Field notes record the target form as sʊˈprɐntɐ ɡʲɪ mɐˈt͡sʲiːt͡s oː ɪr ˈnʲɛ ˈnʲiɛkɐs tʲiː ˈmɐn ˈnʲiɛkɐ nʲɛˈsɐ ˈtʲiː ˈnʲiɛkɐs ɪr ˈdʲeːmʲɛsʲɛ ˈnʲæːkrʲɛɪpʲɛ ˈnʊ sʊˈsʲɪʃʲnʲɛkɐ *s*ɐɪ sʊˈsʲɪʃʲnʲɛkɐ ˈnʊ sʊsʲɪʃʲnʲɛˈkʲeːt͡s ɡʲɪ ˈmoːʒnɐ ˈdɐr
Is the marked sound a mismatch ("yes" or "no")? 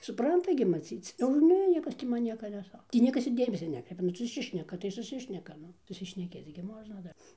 yes